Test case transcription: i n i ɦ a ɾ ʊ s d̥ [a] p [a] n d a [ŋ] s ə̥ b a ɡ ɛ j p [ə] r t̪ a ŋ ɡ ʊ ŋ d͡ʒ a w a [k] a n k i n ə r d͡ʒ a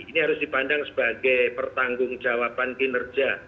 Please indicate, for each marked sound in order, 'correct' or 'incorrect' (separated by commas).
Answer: incorrect, correct, correct, correct, incorrect